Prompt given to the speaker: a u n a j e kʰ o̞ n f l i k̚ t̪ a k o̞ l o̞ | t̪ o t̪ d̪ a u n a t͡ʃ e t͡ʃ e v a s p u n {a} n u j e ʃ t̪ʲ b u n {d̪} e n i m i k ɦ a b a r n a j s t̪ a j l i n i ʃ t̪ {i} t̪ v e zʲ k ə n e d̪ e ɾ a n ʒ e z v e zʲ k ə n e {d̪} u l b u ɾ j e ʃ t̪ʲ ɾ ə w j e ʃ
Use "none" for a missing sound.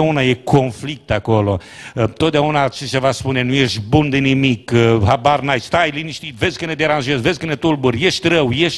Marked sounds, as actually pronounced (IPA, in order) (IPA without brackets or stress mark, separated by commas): e, d̪, i, t̪